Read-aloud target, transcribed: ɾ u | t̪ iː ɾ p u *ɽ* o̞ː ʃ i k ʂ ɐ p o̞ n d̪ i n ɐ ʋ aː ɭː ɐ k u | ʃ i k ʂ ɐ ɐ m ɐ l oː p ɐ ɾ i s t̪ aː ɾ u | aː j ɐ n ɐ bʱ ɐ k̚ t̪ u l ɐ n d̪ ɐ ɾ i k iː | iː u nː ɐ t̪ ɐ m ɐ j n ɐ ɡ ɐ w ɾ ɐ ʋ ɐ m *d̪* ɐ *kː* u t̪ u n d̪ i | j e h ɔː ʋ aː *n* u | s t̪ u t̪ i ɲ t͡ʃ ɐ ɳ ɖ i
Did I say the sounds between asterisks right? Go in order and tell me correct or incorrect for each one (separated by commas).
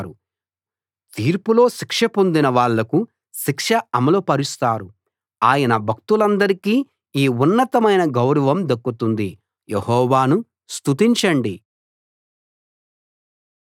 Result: incorrect, correct, correct, correct